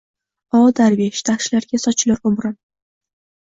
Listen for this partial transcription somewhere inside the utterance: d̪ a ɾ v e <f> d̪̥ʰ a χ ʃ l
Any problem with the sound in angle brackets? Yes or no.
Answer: yes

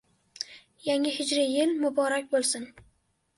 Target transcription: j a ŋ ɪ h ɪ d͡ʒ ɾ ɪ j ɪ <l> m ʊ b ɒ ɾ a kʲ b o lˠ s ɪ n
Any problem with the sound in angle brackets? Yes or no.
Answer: no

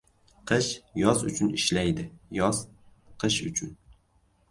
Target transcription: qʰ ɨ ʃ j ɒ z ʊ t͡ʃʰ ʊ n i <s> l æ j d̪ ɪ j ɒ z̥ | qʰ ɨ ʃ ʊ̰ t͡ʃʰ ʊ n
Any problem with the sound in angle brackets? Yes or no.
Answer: yes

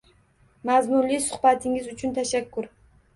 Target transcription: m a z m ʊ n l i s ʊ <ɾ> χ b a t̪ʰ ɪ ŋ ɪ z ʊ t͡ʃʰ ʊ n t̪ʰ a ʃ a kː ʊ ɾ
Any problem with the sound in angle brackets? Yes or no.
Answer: yes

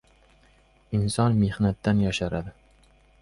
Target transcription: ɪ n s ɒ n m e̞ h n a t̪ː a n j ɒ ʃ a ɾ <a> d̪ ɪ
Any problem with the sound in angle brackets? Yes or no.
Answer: no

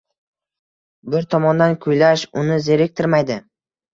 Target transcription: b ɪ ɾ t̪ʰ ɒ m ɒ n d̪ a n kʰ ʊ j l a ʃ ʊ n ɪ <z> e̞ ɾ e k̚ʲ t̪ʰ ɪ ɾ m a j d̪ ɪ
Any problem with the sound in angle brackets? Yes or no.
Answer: no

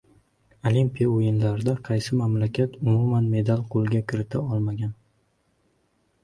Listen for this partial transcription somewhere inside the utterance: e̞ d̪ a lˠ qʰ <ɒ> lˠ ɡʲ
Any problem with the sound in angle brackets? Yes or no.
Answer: yes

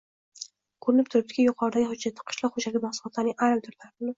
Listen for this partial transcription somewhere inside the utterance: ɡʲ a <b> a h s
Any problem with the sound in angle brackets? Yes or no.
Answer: yes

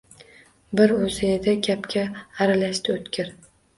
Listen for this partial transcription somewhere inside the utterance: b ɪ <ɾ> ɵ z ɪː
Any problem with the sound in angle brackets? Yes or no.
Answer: no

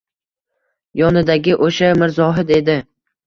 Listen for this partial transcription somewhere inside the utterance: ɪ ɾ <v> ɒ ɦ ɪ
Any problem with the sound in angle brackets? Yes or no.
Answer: yes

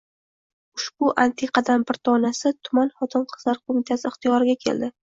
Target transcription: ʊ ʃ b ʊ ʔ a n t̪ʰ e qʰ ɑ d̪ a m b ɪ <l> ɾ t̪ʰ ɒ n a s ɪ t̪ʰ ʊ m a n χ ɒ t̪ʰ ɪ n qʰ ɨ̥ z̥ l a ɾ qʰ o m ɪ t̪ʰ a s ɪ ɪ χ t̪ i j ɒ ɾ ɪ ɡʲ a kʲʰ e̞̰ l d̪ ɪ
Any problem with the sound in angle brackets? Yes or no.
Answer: yes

